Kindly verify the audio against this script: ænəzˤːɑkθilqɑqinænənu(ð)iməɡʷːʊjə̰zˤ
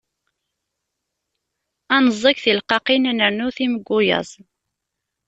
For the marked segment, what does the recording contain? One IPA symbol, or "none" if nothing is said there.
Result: θ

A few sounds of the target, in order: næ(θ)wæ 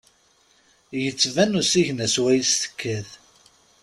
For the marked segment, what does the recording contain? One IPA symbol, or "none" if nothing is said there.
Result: s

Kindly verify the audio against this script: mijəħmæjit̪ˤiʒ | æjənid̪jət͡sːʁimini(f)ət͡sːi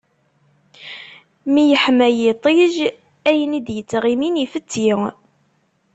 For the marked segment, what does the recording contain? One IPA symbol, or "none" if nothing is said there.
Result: f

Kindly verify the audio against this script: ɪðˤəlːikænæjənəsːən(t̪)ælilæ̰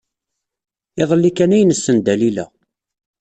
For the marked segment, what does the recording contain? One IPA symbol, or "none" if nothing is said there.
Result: d̪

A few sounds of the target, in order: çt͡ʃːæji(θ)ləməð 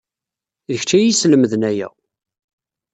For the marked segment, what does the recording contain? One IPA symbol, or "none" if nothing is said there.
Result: s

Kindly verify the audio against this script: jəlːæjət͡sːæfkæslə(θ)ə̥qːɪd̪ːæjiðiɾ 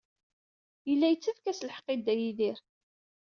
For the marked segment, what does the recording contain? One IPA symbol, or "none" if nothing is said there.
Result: ħ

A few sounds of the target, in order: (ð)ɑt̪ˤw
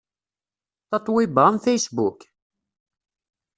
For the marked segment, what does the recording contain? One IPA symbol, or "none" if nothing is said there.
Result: θ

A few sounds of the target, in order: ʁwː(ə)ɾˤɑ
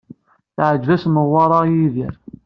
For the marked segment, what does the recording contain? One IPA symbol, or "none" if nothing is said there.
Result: ɑ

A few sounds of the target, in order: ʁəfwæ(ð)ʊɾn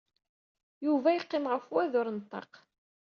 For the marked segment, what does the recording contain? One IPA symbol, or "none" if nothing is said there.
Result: ð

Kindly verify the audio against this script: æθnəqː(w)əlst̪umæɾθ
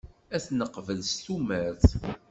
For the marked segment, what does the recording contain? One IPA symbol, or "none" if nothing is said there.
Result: v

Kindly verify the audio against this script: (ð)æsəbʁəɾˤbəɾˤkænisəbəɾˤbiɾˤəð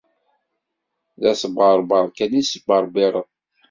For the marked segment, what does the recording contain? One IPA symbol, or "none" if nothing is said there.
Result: ð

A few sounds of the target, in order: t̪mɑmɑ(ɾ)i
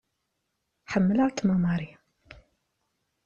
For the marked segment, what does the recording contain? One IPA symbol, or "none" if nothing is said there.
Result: ɾ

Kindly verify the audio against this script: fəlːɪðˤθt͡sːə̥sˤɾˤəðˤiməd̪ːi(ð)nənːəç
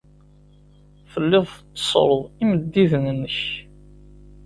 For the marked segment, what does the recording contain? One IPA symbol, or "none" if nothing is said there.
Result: ð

